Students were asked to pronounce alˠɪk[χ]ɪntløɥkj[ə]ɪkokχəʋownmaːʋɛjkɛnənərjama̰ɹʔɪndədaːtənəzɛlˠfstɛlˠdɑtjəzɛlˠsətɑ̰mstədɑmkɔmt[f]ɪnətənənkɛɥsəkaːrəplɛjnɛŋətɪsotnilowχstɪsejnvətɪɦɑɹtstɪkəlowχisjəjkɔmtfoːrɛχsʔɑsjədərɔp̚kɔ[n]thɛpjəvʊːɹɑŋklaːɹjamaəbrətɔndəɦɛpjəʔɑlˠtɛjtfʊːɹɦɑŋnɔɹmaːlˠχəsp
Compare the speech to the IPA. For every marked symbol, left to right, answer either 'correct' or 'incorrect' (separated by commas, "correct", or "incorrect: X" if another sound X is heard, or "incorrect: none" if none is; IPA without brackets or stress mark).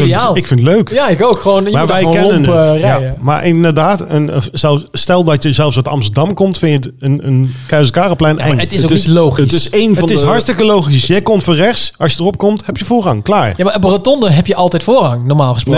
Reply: incorrect: f, incorrect: a, correct, incorrect: m